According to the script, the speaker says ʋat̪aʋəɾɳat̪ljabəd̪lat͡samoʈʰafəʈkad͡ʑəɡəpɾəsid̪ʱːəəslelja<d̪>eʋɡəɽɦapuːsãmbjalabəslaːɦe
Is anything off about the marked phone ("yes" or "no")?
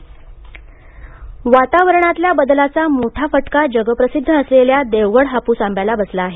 no